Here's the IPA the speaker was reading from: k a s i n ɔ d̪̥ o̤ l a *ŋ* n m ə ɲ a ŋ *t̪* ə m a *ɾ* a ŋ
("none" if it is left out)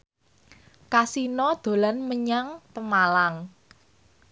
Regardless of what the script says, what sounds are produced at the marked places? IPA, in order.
none, t̪, l

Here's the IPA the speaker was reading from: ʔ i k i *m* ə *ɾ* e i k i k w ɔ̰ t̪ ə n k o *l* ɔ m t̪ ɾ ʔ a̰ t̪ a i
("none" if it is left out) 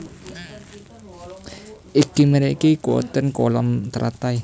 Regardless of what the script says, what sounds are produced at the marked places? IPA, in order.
m, ɾ, l

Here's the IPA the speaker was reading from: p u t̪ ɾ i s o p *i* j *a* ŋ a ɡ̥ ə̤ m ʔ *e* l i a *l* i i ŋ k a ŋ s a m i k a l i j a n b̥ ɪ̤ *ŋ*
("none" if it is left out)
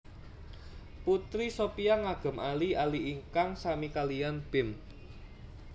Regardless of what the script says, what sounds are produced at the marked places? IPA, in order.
i, a, a, l, m

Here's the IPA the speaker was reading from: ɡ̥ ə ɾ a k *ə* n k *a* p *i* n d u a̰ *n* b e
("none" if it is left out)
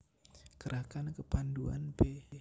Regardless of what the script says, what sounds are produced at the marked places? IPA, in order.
a, ə, a, n

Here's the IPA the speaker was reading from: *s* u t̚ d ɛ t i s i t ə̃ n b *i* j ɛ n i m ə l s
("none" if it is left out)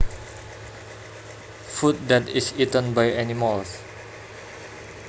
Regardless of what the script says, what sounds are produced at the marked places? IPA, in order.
f, a

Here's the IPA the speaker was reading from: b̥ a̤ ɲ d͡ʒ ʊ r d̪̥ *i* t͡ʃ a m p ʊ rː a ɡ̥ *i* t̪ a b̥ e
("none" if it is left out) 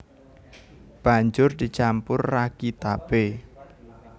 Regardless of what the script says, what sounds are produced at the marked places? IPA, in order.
i, i

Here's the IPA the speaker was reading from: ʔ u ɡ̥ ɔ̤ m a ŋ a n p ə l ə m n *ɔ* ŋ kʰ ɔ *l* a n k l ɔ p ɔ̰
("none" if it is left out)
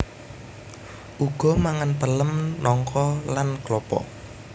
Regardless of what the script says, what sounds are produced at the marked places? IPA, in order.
ɔ, l

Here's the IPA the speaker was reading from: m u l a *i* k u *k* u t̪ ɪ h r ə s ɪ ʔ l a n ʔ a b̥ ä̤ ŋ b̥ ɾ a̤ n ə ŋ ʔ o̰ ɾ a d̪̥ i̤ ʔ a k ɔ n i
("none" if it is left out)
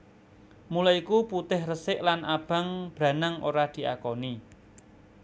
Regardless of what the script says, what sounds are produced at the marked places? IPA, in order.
i, p

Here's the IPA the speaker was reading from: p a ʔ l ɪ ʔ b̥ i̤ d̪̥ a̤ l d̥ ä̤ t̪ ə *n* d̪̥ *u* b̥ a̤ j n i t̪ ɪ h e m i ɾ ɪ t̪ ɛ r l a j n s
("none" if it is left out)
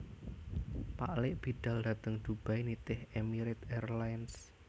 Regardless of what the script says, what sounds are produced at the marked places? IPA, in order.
ŋ, u

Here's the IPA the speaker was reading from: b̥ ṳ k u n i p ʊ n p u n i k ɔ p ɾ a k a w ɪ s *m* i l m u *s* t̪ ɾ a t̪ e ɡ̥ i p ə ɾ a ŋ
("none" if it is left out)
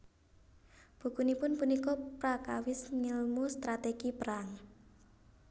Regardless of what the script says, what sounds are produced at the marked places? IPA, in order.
ŋ, s

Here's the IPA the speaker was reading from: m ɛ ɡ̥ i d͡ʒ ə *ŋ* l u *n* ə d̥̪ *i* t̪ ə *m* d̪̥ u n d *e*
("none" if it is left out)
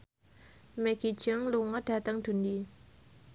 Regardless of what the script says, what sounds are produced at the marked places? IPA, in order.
ŋ, ŋ, a, ŋ, i

